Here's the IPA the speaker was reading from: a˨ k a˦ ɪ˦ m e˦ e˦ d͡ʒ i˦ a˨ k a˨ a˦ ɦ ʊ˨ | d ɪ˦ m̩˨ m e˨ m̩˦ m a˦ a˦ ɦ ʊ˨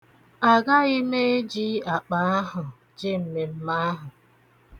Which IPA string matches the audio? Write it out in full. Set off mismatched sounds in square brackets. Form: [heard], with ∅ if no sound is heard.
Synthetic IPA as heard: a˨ [ɡ] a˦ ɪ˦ m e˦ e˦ d͡ʒ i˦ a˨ [k͡p] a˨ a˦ ɦ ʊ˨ | [d͡ʒ] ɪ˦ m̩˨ m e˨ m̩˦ m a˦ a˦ ɦ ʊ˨